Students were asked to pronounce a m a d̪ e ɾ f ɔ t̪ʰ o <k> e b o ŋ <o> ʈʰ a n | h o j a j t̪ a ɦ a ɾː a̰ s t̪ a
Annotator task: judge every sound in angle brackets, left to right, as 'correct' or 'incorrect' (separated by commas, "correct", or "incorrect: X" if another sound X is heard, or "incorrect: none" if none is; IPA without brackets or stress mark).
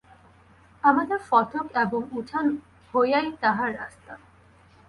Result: correct, incorrect: u